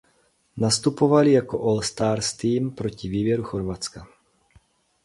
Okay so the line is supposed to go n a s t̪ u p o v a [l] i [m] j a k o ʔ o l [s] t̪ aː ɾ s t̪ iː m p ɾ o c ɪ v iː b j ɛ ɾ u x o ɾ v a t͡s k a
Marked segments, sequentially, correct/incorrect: correct, incorrect, correct

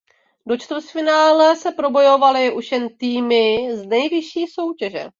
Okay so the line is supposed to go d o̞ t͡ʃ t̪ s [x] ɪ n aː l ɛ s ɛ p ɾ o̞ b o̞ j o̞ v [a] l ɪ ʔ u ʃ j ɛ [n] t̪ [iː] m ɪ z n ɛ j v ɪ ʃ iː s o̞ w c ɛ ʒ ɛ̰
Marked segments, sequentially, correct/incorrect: incorrect, correct, correct, correct

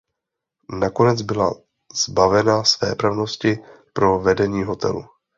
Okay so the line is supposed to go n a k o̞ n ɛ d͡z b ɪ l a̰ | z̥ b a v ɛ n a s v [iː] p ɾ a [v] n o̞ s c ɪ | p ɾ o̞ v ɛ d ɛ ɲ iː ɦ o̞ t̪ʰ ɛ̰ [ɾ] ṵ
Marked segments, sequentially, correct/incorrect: incorrect, correct, incorrect

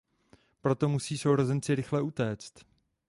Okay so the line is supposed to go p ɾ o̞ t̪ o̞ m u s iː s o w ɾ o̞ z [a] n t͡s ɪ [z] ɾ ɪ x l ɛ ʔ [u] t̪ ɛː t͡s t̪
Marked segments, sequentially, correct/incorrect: incorrect, incorrect, correct

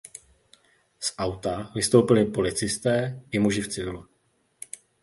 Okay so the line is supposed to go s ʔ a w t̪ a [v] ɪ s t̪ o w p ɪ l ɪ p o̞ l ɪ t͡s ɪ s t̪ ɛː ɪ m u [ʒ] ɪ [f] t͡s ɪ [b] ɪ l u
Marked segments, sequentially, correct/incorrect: correct, correct, correct, incorrect

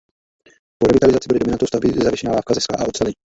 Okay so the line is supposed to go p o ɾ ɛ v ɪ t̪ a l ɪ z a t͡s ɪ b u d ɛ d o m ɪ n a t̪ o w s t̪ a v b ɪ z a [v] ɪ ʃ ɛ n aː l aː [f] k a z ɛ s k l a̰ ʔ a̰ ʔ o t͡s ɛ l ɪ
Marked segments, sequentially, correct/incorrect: correct, correct

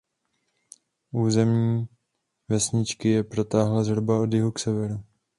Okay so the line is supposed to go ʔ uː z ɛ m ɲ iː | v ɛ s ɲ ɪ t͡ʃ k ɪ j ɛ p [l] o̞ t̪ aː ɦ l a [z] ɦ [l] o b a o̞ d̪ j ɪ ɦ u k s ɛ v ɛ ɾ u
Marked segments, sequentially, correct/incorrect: incorrect, correct, incorrect

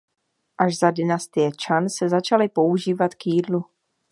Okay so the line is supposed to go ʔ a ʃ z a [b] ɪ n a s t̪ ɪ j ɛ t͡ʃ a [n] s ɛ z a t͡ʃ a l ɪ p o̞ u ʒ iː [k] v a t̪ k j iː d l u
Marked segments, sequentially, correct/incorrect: incorrect, correct, incorrect

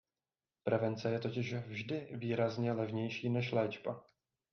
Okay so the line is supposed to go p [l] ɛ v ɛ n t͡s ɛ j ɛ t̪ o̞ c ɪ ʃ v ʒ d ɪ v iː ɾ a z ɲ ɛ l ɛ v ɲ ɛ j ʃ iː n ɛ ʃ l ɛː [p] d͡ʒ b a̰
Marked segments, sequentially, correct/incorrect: incorrect, incorrect

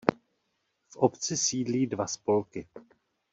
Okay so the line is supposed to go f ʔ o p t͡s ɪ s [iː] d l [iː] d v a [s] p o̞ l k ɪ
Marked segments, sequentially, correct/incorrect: correct, correct, correct

